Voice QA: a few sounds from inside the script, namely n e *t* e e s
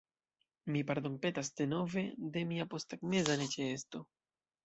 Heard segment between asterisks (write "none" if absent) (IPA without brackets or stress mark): t͡ʃ